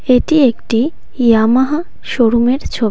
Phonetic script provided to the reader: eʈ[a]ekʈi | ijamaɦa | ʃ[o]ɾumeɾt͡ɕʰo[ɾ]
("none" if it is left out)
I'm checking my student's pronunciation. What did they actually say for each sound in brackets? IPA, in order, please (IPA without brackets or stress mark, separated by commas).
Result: i, o, none